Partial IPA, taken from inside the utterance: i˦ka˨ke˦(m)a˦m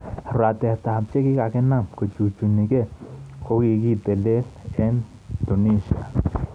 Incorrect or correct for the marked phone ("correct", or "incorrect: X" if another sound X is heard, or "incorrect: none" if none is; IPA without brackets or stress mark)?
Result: incorrect: n